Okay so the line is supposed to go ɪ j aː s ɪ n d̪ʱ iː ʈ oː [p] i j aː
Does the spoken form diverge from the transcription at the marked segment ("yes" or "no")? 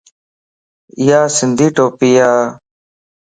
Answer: no